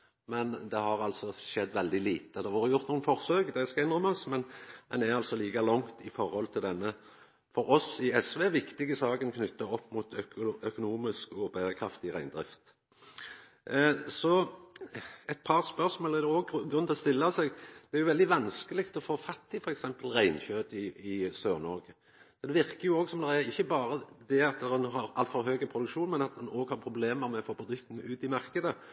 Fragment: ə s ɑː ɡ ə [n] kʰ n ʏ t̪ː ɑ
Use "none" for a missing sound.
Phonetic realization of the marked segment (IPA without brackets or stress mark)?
n